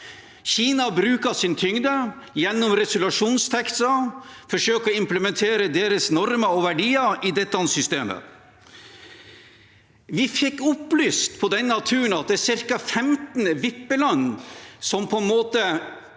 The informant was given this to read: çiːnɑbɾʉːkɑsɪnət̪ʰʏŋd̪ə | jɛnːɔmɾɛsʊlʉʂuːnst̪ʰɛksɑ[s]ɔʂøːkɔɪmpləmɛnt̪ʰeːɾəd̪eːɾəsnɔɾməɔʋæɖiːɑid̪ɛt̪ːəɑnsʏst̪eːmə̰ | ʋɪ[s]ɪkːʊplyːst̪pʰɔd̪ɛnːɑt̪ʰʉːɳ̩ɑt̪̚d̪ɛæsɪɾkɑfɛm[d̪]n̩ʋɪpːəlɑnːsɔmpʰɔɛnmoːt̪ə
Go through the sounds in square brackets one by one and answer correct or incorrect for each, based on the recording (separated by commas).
incorrect, incorrect, incorrect